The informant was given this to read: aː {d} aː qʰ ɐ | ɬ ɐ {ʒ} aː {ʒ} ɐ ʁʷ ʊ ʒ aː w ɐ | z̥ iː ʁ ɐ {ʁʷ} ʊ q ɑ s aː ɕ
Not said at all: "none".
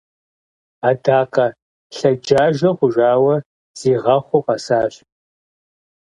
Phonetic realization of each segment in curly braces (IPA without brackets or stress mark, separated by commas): d, d͡ʒ, ʒ, χʷ